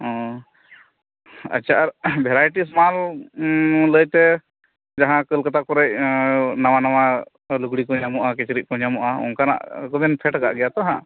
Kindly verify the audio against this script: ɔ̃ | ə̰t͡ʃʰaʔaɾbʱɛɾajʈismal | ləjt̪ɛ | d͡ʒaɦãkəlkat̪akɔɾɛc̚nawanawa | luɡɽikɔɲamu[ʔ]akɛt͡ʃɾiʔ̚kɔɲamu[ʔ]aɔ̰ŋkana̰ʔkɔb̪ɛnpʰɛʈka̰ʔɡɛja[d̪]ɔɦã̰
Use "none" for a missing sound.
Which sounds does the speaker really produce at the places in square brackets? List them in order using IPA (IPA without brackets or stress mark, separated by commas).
ʔ, ʔ, t̪